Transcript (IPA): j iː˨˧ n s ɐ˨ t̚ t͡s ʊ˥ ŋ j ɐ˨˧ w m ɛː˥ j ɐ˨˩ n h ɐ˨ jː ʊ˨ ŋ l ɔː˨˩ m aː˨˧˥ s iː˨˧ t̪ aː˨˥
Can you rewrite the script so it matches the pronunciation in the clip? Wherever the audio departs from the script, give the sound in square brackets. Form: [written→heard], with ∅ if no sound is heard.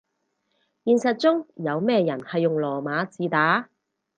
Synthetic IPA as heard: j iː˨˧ n s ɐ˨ t̚ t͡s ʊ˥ ŋ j ɐ˨˧ w m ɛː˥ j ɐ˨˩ n h ɐ˨ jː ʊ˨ ŋ l ɔː˨˩ m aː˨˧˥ [s→t͡s] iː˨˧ t̪ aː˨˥